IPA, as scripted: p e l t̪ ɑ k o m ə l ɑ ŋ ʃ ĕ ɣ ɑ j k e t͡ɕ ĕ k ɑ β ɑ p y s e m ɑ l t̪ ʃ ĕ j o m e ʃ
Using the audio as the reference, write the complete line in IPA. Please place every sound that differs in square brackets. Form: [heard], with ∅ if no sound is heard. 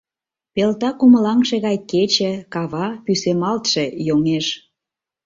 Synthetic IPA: p e l t̪ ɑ k [u] m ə l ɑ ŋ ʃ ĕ ɣ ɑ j k e t͡ɕ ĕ k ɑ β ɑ p y s e m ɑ l t̪ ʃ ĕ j o [ŋ] e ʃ